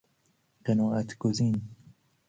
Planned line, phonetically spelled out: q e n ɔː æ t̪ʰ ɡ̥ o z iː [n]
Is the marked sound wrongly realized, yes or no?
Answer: no